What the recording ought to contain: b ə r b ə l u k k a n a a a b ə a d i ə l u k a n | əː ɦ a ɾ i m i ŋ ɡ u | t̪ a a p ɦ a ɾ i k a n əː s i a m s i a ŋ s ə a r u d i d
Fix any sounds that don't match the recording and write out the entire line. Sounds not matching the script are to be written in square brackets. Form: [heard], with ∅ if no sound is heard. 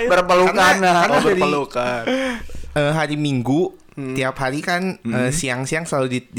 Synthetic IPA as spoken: b ə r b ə l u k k a n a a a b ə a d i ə l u k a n | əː ɦ a ɾ i m i ŋ ɡ u | t̪ [i] a p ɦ a ɾ i k a n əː s i a [ŋ] s i a ŋ s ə a [l] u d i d